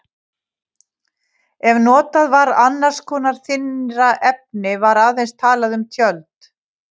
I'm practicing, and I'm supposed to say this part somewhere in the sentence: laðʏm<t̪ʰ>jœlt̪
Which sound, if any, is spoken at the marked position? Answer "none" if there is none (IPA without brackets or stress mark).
t̪ʰ